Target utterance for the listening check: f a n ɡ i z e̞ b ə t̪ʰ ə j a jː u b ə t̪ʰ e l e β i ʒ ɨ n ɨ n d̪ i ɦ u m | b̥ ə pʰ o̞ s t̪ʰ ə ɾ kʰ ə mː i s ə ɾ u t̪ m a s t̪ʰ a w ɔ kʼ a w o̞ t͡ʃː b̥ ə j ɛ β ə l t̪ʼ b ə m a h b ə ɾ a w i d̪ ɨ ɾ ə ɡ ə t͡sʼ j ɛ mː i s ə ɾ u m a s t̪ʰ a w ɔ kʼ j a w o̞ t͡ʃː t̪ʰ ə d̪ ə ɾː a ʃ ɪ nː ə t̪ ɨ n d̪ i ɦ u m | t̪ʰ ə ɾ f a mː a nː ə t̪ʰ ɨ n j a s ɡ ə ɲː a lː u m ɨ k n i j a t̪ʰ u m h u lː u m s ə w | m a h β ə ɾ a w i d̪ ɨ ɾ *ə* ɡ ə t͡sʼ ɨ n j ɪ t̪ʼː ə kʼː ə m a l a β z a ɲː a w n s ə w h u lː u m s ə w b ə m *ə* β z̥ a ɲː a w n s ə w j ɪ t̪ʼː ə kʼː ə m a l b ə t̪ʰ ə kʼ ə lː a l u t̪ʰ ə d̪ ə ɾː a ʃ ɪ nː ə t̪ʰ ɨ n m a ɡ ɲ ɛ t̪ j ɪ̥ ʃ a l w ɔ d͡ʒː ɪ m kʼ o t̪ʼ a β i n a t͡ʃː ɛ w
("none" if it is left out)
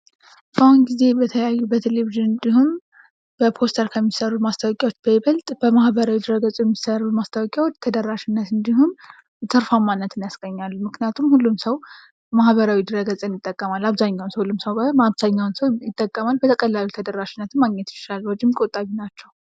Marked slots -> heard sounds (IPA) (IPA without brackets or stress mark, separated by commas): ə, a